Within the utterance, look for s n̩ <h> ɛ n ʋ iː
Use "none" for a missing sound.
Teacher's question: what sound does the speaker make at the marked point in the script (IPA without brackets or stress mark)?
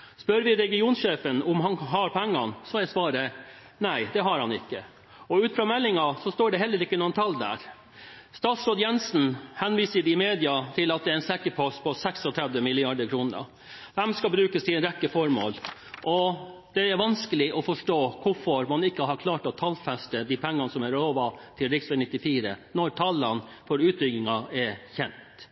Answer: h